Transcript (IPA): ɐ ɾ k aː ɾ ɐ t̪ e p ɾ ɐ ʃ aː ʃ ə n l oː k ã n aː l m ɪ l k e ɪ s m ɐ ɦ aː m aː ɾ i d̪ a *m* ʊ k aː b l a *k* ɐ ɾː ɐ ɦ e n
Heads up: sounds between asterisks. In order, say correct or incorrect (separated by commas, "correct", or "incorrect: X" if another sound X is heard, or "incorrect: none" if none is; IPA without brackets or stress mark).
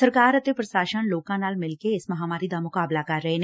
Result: correct, correct